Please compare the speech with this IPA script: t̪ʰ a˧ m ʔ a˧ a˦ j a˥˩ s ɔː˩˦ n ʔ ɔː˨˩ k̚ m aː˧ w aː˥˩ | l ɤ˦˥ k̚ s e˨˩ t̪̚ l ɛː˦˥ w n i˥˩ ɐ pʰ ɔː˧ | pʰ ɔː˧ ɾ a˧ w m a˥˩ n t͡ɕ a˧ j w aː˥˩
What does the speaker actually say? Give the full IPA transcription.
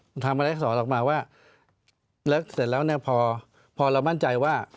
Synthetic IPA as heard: t̪ʰ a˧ m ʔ a˧ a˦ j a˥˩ s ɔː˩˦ n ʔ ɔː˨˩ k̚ m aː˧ w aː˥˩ | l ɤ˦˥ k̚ s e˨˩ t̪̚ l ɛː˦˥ w n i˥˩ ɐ pʰ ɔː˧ | pʰ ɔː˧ ɾ a˧ w m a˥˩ n t͡ɕ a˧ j w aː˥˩

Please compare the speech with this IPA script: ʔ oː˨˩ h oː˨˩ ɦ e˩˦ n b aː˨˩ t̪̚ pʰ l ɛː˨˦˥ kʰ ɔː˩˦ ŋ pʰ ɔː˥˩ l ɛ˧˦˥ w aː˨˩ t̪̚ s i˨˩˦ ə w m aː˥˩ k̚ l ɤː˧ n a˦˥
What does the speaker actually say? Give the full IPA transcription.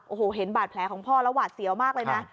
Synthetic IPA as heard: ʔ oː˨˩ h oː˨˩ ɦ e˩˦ n b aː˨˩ t̪̚ pʰ l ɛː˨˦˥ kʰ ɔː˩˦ ŋ pʰ ɔː˥˩ l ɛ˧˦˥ w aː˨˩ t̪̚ s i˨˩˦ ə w m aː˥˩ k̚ l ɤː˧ n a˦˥

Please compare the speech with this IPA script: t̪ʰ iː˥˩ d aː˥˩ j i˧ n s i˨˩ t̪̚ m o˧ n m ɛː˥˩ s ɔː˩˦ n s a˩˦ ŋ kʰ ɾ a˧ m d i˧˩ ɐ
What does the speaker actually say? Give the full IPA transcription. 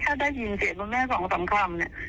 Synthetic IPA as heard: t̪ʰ aː˥˩ d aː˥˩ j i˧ n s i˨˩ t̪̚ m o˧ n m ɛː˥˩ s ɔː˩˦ ŋ s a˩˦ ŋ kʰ ɾ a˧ m n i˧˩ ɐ

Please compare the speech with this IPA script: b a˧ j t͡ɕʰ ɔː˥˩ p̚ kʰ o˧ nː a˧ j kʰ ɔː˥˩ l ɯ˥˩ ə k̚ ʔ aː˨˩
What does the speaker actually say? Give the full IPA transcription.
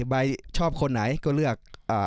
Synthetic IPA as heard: b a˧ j t͡ɕʰ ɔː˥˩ p̚ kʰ o˧ nː a˩˦ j k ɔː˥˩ l ɯ˥˩ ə k̚ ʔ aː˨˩

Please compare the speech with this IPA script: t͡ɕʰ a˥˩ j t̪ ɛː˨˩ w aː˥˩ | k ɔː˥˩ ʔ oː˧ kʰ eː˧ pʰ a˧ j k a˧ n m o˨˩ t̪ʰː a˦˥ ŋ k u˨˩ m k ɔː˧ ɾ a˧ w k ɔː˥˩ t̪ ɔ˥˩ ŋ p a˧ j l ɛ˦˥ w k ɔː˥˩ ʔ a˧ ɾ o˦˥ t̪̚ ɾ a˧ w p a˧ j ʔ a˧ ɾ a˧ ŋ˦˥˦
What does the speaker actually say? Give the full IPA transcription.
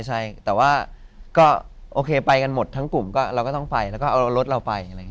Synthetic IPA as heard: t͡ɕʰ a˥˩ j t̪ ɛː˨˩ w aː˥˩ | k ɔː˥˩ ʔ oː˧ kʰ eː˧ p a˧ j k a˧ n m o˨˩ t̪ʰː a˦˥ ŋ k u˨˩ m k ɔː˥˩ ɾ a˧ w k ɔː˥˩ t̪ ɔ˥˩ ŋ p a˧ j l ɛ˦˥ w k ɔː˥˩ ʔ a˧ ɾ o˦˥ t̪̚ ɾ a˧ w p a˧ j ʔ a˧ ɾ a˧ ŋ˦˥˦

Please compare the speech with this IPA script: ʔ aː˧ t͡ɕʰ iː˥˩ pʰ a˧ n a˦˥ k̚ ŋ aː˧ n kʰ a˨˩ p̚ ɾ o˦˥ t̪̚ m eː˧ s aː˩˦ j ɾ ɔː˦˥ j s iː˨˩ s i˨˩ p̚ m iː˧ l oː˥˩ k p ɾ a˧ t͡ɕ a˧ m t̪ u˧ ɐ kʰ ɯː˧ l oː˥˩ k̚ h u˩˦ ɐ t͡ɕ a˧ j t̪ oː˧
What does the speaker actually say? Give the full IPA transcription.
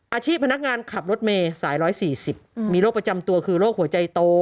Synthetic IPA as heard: ʔ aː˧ t͡ɕʰ iː˥˩ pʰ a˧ n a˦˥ k̚ ŋ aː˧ n kʰ a˨˩ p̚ ɾ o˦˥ t̪̚ m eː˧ s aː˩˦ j ɾ ɔː˦˥ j s iː˨˩ s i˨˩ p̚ m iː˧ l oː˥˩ k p ɾ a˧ t͡ɕ a˧ m t̪ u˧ ɐ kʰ ɯː˧ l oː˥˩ k̚ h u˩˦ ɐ t͡ɕ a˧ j t̪ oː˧

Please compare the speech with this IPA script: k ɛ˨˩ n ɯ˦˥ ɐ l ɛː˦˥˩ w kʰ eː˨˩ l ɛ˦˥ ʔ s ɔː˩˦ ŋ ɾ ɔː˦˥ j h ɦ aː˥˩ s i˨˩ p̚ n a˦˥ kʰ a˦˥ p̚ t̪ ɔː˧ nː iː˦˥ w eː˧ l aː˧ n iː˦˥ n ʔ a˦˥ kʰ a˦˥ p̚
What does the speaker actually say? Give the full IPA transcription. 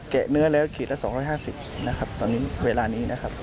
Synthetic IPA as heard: k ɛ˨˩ n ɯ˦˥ ɐ l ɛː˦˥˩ w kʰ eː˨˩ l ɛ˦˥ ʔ s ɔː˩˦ ŋ ɾ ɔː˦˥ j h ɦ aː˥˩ s i˨˩ p̚ n a˦˥ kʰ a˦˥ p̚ t̪ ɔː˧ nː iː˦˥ w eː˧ l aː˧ n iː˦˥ n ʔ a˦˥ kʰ a˦˥ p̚

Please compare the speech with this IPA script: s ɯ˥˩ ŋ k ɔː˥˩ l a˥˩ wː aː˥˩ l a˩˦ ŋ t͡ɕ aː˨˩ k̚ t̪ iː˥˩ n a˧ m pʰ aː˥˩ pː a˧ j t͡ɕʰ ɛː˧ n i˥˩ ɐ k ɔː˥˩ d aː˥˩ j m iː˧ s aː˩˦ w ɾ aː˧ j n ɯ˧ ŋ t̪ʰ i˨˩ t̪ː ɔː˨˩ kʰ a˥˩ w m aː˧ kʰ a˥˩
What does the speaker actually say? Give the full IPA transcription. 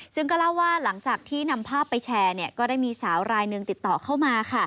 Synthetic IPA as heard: s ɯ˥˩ ŋ k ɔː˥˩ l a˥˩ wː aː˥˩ l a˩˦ ŋ t͡ɕ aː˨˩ k̚ t̪ʰ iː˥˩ n a˧ m pʰ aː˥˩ pː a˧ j t͡ɕʰ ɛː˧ n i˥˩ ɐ k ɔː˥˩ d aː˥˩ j m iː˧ s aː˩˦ w ɾ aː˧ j n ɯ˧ ŋ t̪ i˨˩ t̪ː ɔː˨˩ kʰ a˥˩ w m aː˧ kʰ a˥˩

